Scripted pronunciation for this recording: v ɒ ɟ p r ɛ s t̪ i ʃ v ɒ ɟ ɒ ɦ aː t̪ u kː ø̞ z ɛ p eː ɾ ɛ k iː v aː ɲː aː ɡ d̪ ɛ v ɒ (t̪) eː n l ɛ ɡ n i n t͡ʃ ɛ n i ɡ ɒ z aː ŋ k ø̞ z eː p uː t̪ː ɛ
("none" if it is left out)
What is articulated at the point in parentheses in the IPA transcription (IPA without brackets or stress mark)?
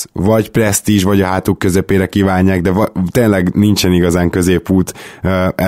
t̪